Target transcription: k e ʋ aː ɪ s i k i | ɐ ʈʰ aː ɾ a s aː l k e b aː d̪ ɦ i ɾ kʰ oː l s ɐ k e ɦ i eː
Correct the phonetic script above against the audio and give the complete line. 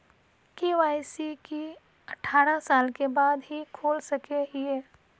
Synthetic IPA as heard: k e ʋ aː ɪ s i k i | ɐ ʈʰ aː ɾ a s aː l k e b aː d̪ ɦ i kʰ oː l s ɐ k e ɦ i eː